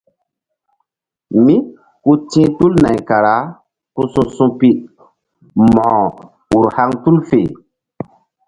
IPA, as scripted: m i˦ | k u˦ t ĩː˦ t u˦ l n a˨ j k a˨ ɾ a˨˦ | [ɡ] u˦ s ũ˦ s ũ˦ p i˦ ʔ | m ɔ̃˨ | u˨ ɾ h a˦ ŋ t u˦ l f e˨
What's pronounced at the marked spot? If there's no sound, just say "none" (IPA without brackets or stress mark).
k